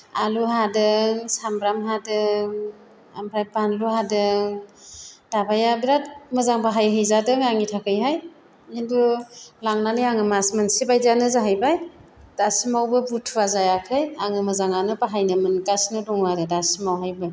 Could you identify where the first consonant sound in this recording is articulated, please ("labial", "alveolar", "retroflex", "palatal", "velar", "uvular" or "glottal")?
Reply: alveolar